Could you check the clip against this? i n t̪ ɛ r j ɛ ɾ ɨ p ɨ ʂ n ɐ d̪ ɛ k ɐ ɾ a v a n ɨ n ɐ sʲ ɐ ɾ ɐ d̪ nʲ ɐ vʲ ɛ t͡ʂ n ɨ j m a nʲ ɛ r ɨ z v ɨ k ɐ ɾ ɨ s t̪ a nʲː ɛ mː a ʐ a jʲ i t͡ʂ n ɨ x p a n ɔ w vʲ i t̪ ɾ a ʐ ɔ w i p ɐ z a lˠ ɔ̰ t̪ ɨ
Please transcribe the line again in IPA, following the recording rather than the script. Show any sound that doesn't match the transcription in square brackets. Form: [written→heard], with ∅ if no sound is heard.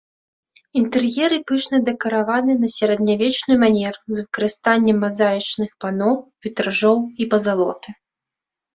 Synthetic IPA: i n t̪ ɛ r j ɛ ɾ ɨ p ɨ ʂ n ɐ d̪ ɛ k ɐ ɾ a v a n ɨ n ɐ sʲ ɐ ɾ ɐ d̪ nʲ [ɐ→a] vʲ ɛ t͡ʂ n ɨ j m a nʲ ɛ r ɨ z v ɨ k ɐ ɾ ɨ s t̪ a nʲː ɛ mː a [ʐ→z] a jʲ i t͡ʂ n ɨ x p a n ɔ w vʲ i t̪ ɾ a ʐ ɔ w i p ɐ z a lˠ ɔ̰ t̪ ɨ

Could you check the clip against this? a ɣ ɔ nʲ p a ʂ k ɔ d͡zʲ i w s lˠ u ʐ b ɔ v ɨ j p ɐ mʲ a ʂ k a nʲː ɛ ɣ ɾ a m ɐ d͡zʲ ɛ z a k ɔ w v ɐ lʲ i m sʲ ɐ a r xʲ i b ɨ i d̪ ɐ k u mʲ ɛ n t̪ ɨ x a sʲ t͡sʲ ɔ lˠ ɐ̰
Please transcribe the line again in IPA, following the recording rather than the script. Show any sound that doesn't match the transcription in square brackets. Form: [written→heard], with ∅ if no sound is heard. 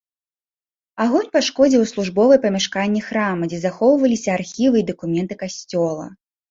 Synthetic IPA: a ɣ ɔ nʲ p a ʂ k ɔ d͡zʲ i w s lˠ u ʐ b ɔ v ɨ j p ɐ mʲ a ʂ k a nʲː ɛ [ɣ→x] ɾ a m ɐ d͡zʲ ɛ z a [k→x] ɔ w v ɐ lʲ i [m→∅] sʲ ɐ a r xʲ i [b→v] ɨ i d̪ ɐ k u mʲ ɛ n t̪ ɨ [x→k] a sʲ t͡sʲ ɔ lˠ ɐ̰

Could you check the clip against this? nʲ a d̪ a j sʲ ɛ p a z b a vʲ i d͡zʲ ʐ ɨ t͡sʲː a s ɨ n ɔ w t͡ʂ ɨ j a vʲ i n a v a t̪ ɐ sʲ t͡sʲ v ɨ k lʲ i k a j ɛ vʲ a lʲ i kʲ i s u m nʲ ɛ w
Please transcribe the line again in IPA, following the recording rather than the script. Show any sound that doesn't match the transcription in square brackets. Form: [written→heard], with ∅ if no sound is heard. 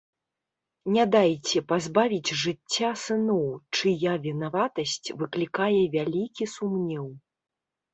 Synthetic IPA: nʲ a d̪ a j [sʲ→t͡sʲ] ɛ p a z b a vʲ i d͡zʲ ʐ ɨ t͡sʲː a s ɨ n ɔ w t͡ʂ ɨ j a vʲ i n a v a t̪ ɐ sʲ t͡sʲ v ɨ k lʲ i k a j ɛ vʲ a lʲ i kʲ i s u m nʲ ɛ w

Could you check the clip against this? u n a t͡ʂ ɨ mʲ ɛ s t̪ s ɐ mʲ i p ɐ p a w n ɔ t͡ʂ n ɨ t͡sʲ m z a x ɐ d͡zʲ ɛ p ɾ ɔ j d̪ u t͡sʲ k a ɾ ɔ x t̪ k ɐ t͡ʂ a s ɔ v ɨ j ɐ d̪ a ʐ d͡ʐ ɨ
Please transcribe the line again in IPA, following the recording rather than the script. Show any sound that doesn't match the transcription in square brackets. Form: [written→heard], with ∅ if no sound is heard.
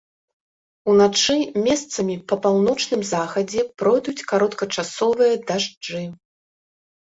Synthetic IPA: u n a t͡ʂ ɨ mʲ ɛ s t̪ s ɐ mʲ i p ɐ p a w n ɔ t͡ʂ n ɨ [t͡sʲ→∅] m z a x ɐ d͡zʲ ɛ p ɾ ɔ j d̪ u t͡sʲ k a ɾ ɔ [x→∅] t̪ k ɐ t͡ʂ a s ɔ v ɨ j ɐ d̪ a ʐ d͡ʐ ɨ

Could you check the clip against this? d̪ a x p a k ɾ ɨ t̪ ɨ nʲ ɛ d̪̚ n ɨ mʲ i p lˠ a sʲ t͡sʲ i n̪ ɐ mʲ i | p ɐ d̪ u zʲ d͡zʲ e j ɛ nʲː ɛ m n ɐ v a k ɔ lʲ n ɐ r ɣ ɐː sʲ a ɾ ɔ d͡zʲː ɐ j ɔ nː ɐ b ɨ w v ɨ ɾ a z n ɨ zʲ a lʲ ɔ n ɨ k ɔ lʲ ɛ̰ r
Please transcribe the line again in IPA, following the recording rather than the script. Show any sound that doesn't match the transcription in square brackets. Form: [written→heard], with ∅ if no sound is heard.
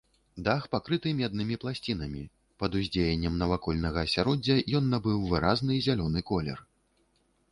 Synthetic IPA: d̪ a x p a k ɾ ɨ t̪ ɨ [nʲ→mʲ] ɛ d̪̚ n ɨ mʲ i p lˠ a sʲ t͡sʲ i n̪ ɐ mʲ i | p ɐ d̪ u zʲ d͡zʲ e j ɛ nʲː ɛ m n ɐ v a k ɔ lʲ n ɐ [r→∅] ɣ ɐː sʲ a ɾ ɔ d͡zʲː ɐ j ɔ nː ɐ b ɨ w v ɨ ɾ a z n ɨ zʲ a lʲ ɔ n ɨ k ɔ lʲ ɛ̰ r

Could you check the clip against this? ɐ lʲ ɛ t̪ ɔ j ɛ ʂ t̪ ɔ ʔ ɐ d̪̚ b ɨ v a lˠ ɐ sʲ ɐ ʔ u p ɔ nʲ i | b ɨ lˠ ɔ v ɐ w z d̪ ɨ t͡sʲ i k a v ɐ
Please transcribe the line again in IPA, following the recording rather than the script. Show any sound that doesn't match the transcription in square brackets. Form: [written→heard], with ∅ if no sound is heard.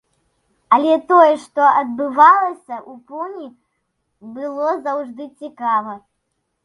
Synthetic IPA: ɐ lʲ ɛ t̪ ɔ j ɛ ʂ t̪ ɔ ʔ ɐ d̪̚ b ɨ v a lˠ ɐ sʲ ɐ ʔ u p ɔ nʲ i | b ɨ lˠ ɔ [v→z] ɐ w [z→ʐ] d̪ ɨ t͡sʲ i k a v ɐ

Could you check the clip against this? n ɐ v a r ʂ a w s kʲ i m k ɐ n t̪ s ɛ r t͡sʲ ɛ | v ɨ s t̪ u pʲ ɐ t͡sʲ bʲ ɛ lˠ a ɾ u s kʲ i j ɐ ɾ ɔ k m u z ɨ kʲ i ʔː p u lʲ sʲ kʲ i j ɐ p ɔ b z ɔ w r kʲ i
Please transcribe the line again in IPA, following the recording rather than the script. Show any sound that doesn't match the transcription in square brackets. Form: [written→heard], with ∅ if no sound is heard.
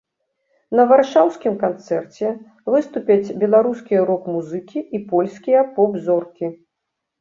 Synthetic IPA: n ɐ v a r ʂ a w s kʲ i m k [ɐ→a] n t̪ s ɛ r t͡sʲ ɛ | v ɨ s t̪ u pʲ ɐ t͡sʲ bʲ ɛ lˠ a ɾ u s kʲ i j ɐ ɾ ɔ k m u z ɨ kʲ i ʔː p [u→ɔ] lʲ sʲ kʲ i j ɐ p ɔ b z ɔ [w→∅] r kʲ i

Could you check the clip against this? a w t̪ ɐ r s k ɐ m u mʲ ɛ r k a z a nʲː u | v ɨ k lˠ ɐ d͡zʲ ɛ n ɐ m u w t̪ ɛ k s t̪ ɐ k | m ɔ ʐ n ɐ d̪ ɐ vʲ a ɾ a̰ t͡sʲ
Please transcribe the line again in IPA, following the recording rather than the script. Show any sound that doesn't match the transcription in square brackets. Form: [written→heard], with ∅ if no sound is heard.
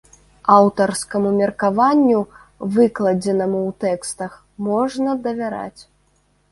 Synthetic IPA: a w t̪ ɐ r s k ɐ m u mʲ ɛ r k a [z→v] a nʲː u | v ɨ k lˠ ɐ d͡zʲ ɛ n ɐ m u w t̪ ɛ k s t̪ ɐ [k→x] | m ɔ ʐ n ɐ d̪ ɐ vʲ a ɾ a̰ t͡sʲ

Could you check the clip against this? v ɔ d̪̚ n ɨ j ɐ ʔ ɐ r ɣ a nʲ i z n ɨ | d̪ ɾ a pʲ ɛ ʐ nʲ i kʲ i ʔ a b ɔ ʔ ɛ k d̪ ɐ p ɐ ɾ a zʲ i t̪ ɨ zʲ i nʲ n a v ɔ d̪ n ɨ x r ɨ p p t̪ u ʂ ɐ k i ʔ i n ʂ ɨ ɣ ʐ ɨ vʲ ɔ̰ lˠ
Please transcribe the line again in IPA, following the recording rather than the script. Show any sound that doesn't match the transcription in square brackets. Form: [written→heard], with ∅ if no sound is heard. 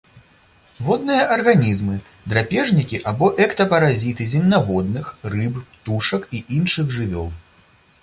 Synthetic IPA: v ɔ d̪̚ n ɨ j ɐ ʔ ɐ r ɣ a nʲ i z [n→m] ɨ | d̪ ɾ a pʲ ɛ ʐ nʲ i kʲ i ʔ a b ɔ ʔ ɛ k [d̪→t̪] ɐ p ɐ ɾ a zʲ i t̪ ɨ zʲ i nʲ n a v ɔ d̪ n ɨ x r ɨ p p t̪ u ʂ ɐ k i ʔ i n ʂ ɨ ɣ ʐ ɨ vʲ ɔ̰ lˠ

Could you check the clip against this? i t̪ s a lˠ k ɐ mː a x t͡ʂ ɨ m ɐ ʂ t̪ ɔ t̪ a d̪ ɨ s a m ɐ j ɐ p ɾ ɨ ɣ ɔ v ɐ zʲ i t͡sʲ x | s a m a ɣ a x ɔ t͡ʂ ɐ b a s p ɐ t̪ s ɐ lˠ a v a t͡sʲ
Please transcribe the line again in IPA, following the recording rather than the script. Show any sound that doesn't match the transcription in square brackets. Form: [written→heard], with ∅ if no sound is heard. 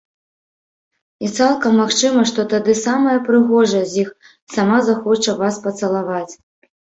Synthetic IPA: i t̪ s a lˠ k ɐ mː a x t͡ʂ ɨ m ɐ ʂ t̪ ɔ t̪ a d̪ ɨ s a m ɐ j ɐ p ɾ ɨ ɣ ɔ [v→ʐ] ɐ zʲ i [t͡sʲ→∅] x | s a m a [ɣ→z] a x ɔ t͡ʂ ɐ [b→v] a s p ɐ t̪ s ɐ lˠ a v a t͡sʲ

